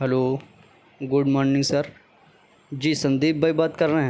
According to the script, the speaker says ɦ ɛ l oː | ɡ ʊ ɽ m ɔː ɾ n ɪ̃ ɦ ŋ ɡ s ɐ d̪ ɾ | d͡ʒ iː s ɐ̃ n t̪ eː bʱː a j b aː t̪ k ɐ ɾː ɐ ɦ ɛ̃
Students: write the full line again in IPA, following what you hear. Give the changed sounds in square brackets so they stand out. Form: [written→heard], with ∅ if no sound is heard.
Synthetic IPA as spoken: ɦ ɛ l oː | ɡ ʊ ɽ m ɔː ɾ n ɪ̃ [ɦ→∅] ŋ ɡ s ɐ [d̪→∅] ɾ | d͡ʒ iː s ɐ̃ n [t̪→d̪] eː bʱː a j b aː t̪ k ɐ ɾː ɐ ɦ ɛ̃